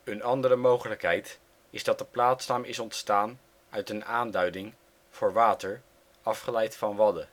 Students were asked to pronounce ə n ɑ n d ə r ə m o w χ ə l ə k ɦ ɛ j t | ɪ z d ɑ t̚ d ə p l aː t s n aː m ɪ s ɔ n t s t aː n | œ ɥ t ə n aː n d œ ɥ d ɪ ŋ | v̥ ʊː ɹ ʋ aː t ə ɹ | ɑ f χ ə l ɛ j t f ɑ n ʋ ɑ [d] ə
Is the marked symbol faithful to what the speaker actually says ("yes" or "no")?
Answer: yes